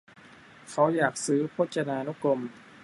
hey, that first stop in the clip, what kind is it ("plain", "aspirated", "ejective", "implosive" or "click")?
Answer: aspirated